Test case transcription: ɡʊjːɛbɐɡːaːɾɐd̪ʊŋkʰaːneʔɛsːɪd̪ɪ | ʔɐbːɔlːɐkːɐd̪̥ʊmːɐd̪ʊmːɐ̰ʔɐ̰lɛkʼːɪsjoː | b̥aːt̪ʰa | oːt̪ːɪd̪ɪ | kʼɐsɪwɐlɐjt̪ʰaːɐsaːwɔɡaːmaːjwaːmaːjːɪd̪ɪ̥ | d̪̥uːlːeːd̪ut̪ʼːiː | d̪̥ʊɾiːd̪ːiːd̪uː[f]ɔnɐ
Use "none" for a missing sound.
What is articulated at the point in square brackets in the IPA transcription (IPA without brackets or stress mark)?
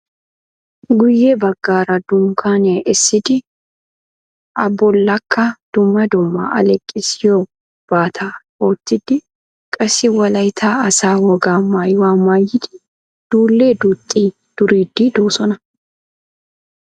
s